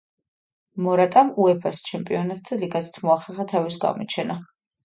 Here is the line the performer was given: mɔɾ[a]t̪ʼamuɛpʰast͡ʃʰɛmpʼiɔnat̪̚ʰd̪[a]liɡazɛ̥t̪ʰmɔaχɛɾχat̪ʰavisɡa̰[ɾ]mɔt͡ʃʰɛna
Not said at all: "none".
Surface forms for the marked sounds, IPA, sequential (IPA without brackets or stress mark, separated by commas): a, a, none